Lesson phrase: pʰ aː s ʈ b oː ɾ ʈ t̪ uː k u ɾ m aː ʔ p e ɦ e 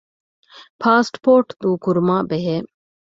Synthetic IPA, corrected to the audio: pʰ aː s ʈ p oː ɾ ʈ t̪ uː k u ɾ m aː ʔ b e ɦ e